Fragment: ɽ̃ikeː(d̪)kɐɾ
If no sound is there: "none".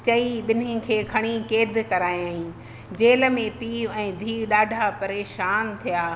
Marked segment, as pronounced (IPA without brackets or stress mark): d̪